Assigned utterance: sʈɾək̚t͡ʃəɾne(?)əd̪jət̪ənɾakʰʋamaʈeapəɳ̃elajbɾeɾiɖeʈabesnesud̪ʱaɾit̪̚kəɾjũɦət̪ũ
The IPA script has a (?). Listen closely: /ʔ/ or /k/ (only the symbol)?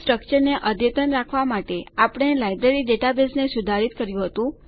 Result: ʔ